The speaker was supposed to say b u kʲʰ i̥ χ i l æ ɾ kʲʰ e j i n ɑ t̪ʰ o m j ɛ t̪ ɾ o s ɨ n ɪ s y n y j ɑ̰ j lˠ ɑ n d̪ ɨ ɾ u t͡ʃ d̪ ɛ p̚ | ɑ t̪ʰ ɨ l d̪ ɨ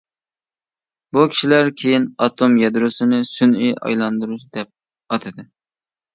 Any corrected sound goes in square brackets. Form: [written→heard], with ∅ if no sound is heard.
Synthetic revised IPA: b u kʲʰ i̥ [χ→ʃ] i l æ ɾ kʲʰ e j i n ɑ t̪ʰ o m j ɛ [t̪→d̪] ɾ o s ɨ n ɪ s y n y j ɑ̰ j lˠ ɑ n d̪ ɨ ɾ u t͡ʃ d̪ ɛ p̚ | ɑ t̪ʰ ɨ [l→∅] d̪ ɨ